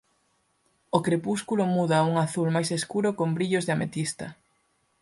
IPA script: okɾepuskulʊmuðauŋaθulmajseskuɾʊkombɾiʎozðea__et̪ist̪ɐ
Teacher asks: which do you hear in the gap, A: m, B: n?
A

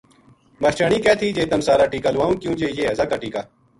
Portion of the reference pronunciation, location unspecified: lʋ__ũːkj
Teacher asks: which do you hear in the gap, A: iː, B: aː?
B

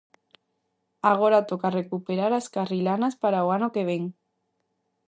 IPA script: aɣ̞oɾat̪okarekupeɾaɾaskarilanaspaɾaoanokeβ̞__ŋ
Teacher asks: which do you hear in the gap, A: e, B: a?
A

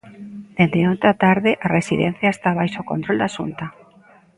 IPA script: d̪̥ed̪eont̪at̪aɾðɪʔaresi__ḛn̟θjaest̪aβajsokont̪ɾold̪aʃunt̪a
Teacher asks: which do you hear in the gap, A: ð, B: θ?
A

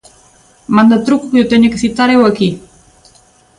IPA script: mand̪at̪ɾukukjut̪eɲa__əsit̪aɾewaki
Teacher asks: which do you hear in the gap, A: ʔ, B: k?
B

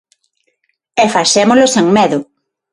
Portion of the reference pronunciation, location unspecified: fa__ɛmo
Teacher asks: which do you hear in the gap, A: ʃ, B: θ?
A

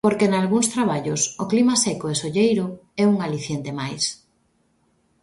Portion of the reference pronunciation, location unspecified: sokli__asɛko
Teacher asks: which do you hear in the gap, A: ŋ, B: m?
B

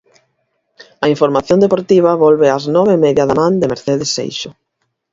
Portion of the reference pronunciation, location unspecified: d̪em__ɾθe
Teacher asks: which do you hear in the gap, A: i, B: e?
B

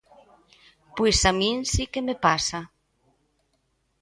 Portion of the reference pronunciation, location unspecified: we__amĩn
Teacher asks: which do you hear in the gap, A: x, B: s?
B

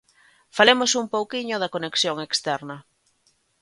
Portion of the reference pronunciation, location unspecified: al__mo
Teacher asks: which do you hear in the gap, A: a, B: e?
B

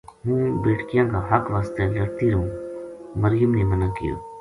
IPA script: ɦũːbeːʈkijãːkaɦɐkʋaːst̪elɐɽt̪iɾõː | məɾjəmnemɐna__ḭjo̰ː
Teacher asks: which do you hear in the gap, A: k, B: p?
A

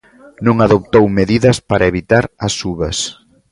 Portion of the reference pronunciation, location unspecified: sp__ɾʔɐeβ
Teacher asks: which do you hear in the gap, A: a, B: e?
A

